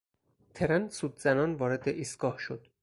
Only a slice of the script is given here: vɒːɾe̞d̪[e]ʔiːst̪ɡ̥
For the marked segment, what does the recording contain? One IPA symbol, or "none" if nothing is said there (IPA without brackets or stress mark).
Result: e